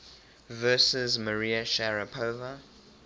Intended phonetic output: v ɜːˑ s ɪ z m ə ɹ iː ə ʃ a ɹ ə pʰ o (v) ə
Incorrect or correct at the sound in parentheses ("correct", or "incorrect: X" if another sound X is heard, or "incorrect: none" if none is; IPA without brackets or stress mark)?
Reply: correct